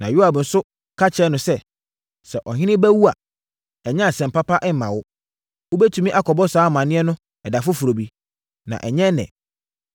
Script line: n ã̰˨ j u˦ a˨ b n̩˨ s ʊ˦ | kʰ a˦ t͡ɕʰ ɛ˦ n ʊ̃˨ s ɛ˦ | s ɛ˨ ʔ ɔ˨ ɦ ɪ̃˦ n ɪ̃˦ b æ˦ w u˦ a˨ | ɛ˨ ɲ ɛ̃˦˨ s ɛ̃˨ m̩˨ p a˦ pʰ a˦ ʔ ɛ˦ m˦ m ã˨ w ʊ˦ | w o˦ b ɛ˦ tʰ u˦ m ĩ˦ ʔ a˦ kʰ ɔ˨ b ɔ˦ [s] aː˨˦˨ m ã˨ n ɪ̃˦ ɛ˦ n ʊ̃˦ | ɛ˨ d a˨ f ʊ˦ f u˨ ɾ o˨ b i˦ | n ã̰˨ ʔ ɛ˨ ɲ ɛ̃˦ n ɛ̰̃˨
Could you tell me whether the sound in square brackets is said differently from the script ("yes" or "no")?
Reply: no